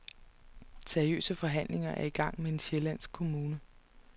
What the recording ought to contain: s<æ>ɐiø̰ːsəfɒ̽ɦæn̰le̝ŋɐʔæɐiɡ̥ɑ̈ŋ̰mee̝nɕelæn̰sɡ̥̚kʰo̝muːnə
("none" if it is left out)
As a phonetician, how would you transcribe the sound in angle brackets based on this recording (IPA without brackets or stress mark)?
e